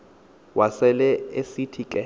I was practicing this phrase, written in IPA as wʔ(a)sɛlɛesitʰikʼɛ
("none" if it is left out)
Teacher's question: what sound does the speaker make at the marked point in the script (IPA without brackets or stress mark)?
a